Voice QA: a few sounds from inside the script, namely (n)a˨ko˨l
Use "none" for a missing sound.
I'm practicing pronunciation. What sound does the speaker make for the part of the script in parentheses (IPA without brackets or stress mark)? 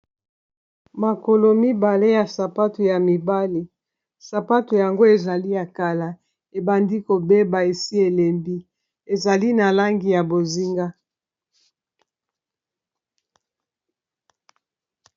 m